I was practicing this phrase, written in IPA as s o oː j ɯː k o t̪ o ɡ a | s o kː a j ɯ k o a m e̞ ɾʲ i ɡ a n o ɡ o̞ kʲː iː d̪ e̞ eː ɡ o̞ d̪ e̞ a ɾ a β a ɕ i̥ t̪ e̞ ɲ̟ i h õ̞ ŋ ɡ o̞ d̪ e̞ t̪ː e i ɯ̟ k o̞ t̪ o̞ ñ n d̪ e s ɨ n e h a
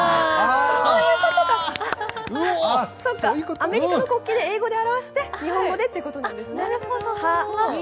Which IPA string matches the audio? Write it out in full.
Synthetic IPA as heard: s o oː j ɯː k o t̪ o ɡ a | s o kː a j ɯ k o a m e̞ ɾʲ i k a n o k o̞ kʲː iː d̪ e̞ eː ɡ o̞ d̪ e̞ a ɾ a β a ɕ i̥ t̪ e̞ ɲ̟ i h õ̞ ŋ ɡ o̞ d̪ e̞ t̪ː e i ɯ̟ k o̞ t̪ o̞ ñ n d̪ e s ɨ n e h a